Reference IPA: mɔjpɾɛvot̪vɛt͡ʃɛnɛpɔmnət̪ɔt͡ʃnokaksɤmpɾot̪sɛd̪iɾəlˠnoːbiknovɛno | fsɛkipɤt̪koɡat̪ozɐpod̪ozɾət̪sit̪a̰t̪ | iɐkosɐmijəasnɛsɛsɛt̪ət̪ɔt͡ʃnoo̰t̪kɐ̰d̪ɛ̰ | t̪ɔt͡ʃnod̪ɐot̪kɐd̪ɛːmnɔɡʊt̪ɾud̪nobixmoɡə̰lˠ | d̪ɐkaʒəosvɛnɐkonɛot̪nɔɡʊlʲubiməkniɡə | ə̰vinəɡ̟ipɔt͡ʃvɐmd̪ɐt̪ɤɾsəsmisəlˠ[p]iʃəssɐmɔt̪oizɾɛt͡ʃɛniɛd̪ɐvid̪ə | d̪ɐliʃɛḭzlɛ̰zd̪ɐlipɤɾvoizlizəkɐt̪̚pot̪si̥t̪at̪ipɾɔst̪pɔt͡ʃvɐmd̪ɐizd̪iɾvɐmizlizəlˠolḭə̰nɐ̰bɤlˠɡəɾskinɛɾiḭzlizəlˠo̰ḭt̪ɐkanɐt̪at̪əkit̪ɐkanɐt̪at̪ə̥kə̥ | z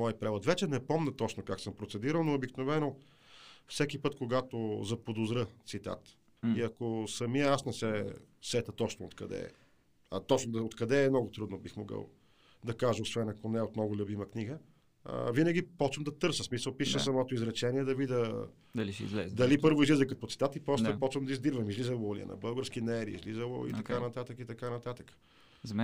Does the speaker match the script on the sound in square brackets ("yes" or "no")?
yes